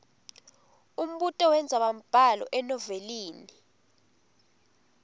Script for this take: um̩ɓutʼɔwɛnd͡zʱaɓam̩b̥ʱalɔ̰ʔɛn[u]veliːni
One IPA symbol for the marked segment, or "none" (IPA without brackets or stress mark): ɔ